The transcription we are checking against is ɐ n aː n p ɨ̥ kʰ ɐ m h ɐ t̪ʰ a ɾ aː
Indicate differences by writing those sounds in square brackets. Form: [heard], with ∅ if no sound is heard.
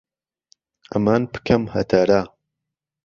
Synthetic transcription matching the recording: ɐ [m] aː n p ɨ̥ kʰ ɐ m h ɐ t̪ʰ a ɾ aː

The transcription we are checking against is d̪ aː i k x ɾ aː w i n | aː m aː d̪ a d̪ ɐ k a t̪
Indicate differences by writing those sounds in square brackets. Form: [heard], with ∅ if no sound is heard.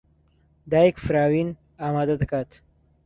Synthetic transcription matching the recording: d̪ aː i k [f] ɾ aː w i n | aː m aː d̪ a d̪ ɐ k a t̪

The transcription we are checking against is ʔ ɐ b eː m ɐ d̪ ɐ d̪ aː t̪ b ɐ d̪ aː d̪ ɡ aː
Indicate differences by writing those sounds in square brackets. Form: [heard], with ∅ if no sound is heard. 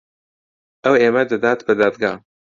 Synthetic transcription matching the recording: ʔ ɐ [w] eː m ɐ d̪ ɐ d̪ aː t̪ b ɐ d̪ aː d̪ ɡ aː

